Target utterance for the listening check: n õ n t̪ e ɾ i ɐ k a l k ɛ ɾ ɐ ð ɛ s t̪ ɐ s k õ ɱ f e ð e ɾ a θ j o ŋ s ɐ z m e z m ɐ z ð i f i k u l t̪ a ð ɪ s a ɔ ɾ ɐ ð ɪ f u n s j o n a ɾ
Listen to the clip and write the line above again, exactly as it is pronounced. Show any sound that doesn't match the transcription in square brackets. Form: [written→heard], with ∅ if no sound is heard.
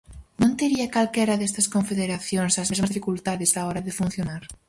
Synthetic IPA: n õ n t̪ e ɾ i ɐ k a l k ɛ ɾ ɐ ð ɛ s t̪ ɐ s k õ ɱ f e ð e ɾ a θ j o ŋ s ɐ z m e z m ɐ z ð i f i k u l t̪ a ð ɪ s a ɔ ɾ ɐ ð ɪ f u n [s→θ] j o n a ɾ